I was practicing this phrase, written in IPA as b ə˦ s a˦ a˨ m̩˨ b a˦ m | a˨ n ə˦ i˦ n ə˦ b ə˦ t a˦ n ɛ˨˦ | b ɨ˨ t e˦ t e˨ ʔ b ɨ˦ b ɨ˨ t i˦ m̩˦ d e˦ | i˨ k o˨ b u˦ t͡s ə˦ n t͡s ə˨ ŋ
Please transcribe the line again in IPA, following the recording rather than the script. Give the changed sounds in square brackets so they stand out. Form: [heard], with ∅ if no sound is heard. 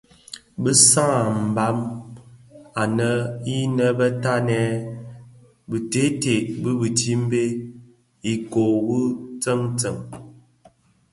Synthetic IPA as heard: b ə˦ s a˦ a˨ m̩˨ b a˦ m | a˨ n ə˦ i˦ n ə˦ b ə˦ t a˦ n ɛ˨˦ | b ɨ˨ t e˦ t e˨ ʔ b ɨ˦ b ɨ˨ t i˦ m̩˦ [b] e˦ | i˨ k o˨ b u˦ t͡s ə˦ [ŋ] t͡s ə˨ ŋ